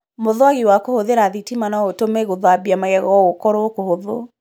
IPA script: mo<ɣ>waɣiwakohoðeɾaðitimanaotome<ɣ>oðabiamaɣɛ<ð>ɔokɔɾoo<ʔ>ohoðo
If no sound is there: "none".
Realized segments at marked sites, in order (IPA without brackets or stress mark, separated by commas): ð, ɣ, ɣ, k